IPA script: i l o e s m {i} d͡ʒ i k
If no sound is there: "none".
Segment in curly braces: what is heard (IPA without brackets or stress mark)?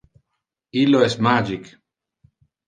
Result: a